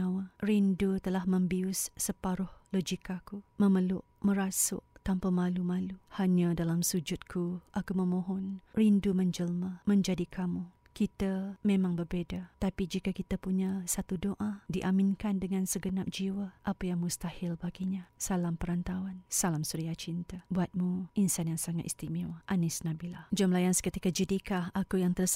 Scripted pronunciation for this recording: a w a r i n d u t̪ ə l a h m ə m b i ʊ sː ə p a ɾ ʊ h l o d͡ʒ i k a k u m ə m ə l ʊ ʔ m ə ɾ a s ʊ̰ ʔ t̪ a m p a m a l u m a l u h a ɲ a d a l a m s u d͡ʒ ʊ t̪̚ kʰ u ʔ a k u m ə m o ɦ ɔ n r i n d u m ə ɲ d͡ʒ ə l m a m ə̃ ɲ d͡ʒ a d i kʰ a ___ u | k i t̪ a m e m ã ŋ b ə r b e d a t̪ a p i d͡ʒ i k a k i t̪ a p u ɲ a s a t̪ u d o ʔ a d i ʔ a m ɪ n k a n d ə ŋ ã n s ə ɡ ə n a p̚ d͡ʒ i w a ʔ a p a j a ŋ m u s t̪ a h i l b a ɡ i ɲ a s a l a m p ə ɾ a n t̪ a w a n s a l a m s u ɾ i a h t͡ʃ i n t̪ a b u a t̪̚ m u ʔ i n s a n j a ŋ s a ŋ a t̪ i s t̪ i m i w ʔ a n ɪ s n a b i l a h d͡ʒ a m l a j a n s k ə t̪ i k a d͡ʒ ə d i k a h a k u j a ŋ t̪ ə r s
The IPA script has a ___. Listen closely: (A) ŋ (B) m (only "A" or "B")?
B